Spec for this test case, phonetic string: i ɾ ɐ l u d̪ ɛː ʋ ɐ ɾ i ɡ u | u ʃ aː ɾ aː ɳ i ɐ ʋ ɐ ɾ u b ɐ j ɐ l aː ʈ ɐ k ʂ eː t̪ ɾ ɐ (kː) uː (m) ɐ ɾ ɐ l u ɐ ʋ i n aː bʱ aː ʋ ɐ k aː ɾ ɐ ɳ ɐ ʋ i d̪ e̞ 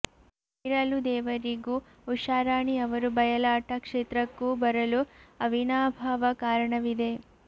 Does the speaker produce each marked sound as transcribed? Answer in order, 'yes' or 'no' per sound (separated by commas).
yes, no